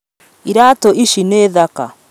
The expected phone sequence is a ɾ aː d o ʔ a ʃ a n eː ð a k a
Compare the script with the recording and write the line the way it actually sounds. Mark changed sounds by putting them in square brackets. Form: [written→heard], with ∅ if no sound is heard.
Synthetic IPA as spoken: [a→i] ɾ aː [d→t] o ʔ [a→i] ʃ [a→i] n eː ð a k a